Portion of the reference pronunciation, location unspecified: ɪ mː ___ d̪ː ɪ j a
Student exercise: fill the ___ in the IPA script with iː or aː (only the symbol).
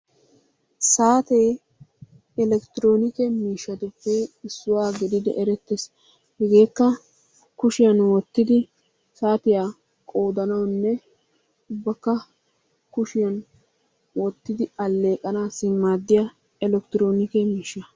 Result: aː